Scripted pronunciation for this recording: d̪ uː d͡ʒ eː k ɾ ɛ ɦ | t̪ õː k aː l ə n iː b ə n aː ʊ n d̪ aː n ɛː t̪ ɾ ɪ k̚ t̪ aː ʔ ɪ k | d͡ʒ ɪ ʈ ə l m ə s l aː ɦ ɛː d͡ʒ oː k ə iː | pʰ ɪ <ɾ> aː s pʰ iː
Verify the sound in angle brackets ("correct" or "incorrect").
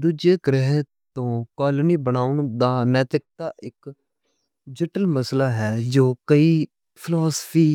incorrect